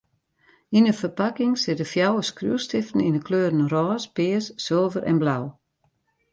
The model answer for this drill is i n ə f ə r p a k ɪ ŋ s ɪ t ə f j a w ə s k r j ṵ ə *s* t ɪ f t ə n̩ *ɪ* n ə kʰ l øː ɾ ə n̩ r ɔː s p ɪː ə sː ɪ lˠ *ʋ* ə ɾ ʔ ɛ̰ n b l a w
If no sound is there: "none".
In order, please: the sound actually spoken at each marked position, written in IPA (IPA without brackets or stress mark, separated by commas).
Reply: s, i, v